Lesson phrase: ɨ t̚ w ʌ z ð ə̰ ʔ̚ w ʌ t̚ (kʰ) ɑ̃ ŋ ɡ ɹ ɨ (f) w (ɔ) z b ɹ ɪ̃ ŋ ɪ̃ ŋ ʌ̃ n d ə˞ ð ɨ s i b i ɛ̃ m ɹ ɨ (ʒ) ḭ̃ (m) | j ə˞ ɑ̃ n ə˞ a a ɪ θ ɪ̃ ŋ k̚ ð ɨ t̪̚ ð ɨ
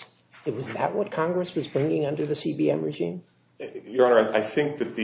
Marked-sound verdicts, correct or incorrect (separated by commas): correct, incorrect, incorrect, correct, correct